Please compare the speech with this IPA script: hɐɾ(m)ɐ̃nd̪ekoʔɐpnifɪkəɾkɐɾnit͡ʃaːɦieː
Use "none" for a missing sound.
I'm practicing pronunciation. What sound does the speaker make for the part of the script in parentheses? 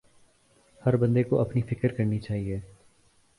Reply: b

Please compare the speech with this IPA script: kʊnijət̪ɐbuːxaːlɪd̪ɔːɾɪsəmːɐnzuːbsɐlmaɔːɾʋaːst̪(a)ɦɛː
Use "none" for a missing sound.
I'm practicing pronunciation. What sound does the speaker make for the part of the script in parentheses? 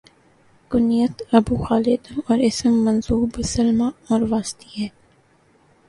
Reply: i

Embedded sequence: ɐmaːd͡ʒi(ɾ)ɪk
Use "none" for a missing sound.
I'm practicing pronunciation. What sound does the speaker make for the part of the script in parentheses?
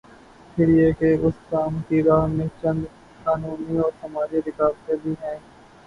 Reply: ɾ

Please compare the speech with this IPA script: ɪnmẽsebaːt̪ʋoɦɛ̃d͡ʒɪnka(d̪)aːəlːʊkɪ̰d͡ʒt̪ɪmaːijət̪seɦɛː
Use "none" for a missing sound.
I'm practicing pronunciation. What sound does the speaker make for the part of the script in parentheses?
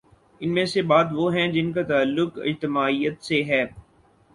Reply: t̪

